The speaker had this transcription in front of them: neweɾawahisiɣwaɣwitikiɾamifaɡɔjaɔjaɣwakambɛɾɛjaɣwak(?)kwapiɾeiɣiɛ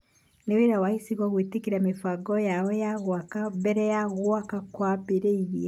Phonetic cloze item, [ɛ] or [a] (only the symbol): a